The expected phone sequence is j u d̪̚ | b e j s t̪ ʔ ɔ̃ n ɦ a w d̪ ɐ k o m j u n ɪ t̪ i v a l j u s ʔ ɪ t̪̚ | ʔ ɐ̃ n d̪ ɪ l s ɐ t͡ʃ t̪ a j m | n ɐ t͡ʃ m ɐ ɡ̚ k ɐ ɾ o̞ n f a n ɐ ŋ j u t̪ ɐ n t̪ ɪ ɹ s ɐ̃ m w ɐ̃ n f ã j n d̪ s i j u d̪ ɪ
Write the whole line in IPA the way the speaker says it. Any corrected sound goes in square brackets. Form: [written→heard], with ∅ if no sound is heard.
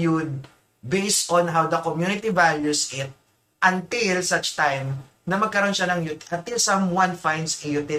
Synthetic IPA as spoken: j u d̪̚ | b e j s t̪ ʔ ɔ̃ n ɦ a w d̪ ɐ k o m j u n ɪ t̪ i v a l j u s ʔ ɪ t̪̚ | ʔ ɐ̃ n [d̪→t̪] ɪ l s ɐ t͡ʃ t̪ a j m | n ɐ [t͡ʃ→∅] m ɐ ɡ̚ k ɐ ɾ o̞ n [f→ʃ] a n ɐ ŋ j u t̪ ɐ n t̪ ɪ [ɹ→l] s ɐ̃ m w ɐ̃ n f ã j n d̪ s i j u [d̪→t̪] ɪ